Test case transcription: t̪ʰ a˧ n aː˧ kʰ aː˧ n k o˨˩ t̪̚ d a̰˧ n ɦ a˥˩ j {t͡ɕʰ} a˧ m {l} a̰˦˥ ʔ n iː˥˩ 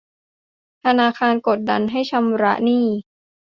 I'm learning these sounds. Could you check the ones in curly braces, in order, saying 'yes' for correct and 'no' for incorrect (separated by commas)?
yes, no